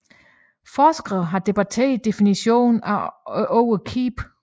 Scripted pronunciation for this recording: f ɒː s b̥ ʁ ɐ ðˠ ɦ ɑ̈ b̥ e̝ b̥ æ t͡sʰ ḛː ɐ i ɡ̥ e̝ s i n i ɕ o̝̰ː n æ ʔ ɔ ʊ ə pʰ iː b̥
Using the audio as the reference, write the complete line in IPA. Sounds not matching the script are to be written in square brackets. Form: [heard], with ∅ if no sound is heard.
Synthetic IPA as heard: f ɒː s [ɡ̥] ʁ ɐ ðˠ ɦ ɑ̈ [d̥] e̝ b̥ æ t͡sʰ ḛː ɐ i [d̥] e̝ [f] i n i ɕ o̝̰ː n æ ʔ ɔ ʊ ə [kʰ] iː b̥